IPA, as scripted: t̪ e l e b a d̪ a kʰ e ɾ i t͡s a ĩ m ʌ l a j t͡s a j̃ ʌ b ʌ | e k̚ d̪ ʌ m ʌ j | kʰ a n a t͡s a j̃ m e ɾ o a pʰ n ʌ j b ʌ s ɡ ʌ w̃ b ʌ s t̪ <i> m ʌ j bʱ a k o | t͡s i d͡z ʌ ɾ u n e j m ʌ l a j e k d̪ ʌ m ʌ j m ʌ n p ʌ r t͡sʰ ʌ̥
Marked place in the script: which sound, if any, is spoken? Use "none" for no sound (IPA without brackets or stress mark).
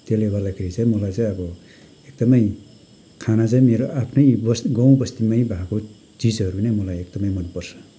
i